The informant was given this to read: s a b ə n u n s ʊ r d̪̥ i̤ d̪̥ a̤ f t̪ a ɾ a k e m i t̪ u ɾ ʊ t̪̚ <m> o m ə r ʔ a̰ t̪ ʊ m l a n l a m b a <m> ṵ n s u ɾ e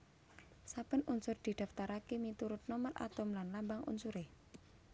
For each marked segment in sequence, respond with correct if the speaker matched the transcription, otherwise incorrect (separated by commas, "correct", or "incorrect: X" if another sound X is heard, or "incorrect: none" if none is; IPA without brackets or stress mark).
incorrect: n, incorrect: ŋ